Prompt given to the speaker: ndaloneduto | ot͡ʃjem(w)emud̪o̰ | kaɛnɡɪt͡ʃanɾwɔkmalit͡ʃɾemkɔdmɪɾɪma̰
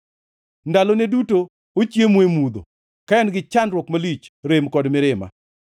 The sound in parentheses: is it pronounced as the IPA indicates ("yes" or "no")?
yes